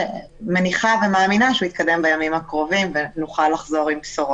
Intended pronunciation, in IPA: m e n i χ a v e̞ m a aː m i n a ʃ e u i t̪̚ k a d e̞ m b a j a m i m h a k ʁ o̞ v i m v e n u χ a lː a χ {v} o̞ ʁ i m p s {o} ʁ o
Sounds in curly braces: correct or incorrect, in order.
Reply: incorrect: z, correct

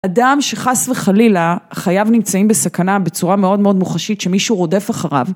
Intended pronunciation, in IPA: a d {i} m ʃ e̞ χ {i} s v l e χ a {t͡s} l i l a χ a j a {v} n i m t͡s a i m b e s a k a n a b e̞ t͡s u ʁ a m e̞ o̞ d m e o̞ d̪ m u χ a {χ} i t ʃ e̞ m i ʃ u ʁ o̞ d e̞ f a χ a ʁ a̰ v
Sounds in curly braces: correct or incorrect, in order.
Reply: incorrect: a, incorrect: a, incorrect: none, correct, incorrect: ʃ

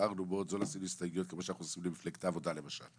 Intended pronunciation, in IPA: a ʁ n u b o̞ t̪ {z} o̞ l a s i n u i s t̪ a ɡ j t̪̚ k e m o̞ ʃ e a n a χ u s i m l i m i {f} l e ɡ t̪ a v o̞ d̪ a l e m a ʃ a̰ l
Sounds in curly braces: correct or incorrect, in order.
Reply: correct, correct

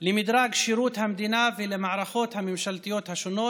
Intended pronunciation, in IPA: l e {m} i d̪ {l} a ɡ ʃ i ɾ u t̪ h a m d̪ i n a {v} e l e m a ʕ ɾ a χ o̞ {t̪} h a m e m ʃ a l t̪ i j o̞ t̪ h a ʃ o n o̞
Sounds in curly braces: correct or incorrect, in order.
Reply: correct, incorrect: ɾ, correct, correct

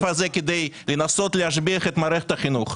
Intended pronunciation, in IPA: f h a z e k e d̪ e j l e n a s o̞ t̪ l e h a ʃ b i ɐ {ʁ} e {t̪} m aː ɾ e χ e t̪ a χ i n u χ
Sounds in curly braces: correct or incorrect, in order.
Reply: incorrect: χ, correct

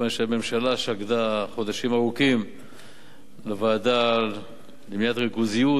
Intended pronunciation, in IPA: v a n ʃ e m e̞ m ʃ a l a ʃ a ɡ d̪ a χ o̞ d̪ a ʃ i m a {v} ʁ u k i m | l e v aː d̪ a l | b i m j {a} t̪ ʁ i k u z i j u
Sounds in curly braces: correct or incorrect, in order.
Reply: incorrect: none, correct

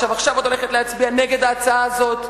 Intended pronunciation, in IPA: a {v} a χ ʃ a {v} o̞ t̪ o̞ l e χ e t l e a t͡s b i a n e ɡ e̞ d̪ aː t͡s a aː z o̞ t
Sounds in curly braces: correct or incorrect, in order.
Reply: correct, correct

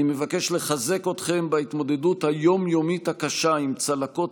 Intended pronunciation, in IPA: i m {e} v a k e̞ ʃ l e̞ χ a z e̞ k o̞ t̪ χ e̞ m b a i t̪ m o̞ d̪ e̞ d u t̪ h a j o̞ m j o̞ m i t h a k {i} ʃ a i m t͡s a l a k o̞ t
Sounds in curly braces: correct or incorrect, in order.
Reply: correct, incorrect: a

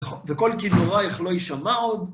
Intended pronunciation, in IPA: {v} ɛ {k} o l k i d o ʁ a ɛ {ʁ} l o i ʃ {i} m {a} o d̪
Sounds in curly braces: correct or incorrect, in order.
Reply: correct, correct, incorrect: χ, incorrect: a, correct

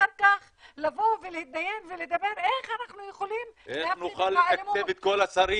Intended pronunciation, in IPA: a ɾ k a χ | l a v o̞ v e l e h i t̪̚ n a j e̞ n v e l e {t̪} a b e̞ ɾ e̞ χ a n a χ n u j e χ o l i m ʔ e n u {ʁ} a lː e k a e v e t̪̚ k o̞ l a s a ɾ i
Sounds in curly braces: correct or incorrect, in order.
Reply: incorrect: d̪, incorrect: χ

